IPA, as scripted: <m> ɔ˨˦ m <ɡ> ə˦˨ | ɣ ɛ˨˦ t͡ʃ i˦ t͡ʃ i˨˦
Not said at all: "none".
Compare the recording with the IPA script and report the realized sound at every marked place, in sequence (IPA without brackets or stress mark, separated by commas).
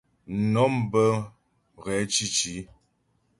n, b